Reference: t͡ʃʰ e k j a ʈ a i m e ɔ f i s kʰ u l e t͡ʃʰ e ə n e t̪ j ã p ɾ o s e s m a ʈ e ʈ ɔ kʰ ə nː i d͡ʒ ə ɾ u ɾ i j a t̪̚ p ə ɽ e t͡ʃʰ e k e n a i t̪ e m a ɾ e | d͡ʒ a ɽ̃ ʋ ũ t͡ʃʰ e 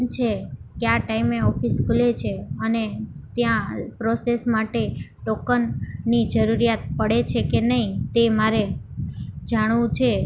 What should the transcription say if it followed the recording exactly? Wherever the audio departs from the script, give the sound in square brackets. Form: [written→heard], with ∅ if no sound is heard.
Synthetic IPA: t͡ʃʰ e k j a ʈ a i m e ɔ f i s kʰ u l e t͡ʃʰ e ə n e t̪ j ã p ɾ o s e s m a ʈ e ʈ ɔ [kʰ→k] ə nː i d͡ʒ ə ɾ u ɾ i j a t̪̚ p ə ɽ e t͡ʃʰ e k e n [a→ə] i t̪ e m a ɾ e | d͡ʒ a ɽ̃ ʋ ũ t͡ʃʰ e

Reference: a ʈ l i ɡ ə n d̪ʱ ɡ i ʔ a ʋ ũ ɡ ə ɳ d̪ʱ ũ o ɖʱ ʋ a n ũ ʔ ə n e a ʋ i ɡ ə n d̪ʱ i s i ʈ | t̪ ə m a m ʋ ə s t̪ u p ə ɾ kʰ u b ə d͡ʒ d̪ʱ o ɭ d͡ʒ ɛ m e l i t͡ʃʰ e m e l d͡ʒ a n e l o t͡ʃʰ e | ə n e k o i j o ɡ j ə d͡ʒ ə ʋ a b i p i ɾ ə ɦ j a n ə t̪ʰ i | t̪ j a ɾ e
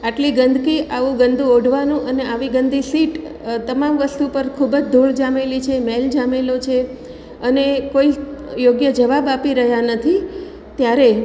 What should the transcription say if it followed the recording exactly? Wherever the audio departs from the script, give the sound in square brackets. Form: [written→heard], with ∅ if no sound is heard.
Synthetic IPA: a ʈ l i ɡ ə n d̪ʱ [ɡ→k] i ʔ a ʋ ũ ɡ ə [ɳ→n] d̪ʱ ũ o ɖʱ ʋ a n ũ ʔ ə n e a ʋ i ɡ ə n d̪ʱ i s i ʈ | t̪ ə m a m ʋ ə s t̪ u p ə ɾ kʰ u b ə d͡ʒ d̪ʱ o ɭ d͡ʒ [ɛ→a] m e l i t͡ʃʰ e m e l d͡ʒ a [n→m] e l o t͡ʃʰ e | ə n e k o i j o ɡ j ə d͡ʒ ə ʋ a b [i→a] p i ɾ ə ɦ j a n ə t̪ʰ i | t̪ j a ɾ e

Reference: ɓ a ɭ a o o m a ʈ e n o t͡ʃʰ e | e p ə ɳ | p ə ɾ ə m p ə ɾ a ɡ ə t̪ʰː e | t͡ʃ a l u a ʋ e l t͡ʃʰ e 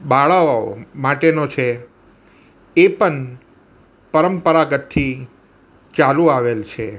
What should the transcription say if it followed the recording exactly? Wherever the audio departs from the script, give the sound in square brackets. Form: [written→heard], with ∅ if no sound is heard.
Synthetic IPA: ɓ a ɭ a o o m a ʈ e n o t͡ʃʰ e | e p ə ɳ | p ə ɾ ə m p ə ɾ a ɡ ə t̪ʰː [e→i] | t͡ʃ a l u a ʋ e l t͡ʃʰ e

